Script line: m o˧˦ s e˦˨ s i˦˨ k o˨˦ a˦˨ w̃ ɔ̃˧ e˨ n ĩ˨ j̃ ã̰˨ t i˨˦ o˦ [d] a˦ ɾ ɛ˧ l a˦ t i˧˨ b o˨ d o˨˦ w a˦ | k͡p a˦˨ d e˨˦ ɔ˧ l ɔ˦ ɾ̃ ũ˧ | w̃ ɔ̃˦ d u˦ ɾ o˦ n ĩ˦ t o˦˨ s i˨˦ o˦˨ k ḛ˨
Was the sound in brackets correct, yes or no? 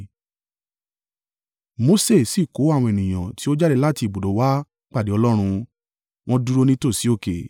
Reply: no